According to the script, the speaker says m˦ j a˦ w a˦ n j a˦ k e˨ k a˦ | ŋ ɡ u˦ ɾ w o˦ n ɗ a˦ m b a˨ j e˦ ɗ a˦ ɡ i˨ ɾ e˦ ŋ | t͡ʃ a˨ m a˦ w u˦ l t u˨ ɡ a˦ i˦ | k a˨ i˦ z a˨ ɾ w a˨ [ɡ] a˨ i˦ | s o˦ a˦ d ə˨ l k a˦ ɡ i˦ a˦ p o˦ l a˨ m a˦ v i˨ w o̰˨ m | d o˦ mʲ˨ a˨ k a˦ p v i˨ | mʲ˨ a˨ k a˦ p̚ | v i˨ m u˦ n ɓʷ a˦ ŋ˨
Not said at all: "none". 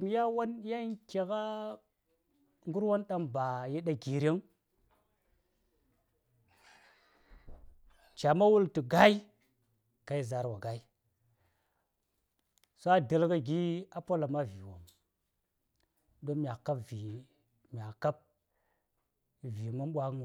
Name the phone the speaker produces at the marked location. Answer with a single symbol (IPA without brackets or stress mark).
ɡ